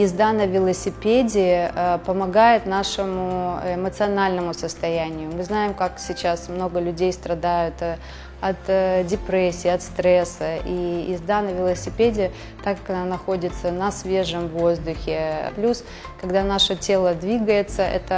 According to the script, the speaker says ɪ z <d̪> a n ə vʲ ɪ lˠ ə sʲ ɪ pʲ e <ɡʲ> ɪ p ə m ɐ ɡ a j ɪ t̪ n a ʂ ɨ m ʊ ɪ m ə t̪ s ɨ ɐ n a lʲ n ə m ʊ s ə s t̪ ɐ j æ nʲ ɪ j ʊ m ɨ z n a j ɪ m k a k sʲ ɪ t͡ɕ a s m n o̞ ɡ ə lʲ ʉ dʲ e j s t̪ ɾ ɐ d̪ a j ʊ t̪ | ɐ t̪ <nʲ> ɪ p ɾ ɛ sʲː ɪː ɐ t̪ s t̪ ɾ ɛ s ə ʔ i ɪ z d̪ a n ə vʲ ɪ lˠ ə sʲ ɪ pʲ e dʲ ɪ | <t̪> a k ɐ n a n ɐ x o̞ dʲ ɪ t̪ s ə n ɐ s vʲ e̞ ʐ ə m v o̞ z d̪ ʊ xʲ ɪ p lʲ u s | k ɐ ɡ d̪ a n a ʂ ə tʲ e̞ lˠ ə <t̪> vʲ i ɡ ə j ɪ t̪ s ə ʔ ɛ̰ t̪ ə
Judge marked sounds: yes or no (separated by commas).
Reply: yes, no, no, yes, no